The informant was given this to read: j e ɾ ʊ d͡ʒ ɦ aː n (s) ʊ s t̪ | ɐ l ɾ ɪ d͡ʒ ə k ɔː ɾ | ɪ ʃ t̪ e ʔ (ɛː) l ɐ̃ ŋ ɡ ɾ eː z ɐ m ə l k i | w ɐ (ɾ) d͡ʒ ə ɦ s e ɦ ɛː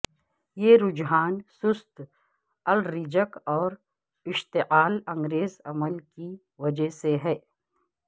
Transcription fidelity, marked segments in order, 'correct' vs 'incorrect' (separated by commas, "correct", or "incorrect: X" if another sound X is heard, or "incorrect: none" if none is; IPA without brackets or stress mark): correct, incorrect: aː, incorrect: none